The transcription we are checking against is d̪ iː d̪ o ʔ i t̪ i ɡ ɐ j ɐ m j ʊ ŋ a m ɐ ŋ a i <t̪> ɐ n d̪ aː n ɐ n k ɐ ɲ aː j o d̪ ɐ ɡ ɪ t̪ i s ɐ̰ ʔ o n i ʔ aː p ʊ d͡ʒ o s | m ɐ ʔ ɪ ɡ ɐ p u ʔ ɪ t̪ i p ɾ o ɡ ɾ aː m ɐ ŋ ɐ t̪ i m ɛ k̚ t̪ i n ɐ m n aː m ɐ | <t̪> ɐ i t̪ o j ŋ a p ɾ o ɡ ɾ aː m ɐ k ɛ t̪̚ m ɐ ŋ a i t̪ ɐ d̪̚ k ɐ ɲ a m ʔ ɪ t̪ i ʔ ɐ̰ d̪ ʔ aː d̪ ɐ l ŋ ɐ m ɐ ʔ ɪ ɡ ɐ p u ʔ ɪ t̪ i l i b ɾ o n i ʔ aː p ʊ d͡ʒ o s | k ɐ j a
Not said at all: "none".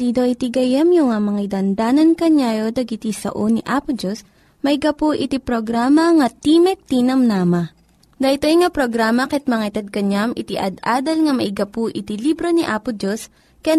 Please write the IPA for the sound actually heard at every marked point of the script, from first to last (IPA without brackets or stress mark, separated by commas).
d̪, d̪